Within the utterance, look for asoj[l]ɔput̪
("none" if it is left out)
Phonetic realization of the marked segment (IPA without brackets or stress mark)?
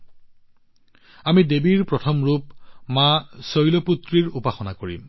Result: l